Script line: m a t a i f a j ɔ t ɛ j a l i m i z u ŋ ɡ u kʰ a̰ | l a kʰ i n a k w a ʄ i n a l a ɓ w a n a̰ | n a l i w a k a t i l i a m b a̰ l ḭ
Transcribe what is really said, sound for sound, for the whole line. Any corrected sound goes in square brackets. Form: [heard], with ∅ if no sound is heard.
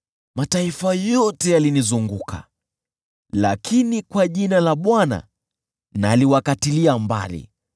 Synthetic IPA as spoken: m a t a i f a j ɔ t ɛ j a l i [n] i z u ŋ ɡ u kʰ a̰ | l a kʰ i n [i] k w a ʄ i n a l a ɓ w a n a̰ | n a l i w a k a t i l i a m b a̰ l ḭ